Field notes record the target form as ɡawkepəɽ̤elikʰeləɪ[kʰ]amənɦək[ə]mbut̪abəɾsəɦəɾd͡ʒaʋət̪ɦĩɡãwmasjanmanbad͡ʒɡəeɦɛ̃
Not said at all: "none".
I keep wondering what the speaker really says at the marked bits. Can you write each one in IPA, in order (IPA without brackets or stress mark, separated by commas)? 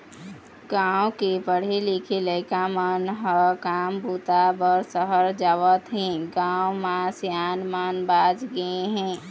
k, a